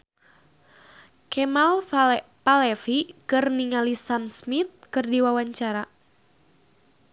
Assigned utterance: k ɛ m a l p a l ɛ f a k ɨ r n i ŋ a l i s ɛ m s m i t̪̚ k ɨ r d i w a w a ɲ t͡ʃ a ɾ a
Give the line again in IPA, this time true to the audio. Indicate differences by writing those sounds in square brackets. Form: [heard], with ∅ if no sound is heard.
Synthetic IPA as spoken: k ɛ m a l p a l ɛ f [i] k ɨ r n i ŋ a l i s [a] m s m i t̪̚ k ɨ r d i w a w a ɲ t͡ʃ a ɾ a